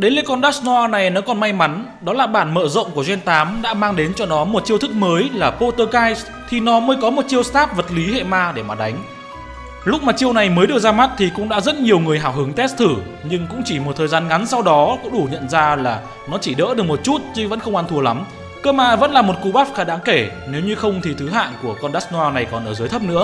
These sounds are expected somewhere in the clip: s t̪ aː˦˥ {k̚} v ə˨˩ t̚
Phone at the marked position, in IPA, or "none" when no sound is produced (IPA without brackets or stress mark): p̚